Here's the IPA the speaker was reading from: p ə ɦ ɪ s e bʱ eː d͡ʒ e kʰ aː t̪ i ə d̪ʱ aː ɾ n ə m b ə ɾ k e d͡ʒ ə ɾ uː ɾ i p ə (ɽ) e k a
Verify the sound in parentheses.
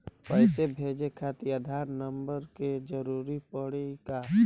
correct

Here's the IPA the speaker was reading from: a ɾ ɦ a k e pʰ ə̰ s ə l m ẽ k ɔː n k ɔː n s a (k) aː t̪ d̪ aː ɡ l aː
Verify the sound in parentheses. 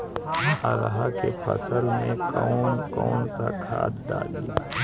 incorrect: kʰ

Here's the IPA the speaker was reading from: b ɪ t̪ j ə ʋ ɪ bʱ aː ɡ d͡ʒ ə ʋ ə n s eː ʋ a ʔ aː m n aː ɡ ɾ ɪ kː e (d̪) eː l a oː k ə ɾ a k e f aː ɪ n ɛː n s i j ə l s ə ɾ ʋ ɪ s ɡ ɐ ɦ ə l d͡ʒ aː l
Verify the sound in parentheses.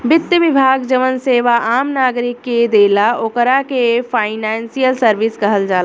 correct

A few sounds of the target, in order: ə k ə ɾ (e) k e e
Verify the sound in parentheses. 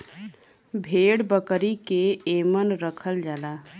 incorrect: i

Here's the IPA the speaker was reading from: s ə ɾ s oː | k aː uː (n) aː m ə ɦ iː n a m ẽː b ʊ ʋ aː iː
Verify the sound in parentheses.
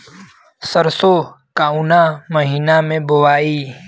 correct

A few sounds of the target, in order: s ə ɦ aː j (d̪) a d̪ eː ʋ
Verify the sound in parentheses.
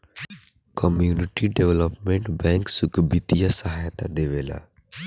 incorrect: t̪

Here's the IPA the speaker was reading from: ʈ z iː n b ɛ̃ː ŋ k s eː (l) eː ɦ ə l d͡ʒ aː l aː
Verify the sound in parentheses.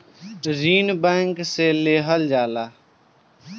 correct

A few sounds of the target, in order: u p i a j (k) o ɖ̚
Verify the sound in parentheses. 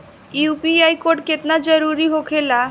correct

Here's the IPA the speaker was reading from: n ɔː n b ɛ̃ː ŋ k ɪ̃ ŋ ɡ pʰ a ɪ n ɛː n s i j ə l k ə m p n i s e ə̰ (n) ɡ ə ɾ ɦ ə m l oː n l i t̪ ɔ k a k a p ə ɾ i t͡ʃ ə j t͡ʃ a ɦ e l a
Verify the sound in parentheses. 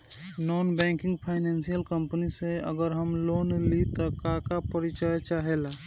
incorrect: none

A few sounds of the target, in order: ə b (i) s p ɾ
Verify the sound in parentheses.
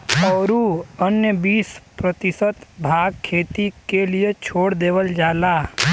incorrect: iː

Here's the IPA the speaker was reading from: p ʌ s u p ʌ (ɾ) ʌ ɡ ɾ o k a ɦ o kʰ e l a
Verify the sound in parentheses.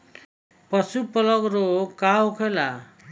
incorrect: l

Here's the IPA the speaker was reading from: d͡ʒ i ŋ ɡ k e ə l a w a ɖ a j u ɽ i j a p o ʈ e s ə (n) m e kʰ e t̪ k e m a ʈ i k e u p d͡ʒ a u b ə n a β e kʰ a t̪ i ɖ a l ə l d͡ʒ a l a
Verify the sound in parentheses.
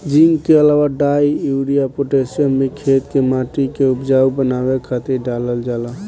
correct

